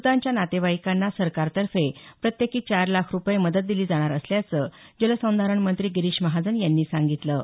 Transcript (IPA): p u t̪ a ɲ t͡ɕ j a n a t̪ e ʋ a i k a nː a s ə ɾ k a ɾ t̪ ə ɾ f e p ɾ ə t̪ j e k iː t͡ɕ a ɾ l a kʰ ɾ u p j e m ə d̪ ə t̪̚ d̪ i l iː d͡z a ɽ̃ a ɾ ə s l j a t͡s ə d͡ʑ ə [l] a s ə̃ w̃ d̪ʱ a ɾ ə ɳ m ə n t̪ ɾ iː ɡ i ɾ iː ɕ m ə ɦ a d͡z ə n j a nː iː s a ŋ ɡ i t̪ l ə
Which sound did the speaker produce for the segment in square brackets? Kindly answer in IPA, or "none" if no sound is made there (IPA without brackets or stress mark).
l